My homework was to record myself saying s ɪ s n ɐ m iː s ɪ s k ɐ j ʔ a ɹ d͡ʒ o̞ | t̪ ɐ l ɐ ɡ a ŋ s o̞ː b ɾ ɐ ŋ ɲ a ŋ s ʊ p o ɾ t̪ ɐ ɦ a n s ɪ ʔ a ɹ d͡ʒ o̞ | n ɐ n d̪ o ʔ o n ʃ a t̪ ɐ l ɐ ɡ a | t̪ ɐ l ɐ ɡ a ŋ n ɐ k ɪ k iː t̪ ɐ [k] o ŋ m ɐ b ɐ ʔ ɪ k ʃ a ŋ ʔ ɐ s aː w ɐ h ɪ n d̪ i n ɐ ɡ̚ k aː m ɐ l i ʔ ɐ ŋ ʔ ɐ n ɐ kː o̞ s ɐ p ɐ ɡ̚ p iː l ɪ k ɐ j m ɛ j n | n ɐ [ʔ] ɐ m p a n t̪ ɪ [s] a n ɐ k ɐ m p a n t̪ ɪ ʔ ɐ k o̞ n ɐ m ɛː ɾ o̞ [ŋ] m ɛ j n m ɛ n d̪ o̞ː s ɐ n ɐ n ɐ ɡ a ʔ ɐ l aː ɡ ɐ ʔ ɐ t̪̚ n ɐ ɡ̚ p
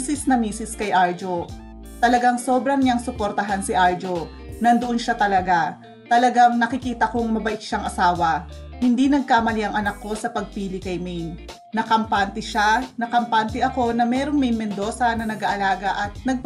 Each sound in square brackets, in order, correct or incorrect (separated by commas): correct, incorrect, incorrect, correct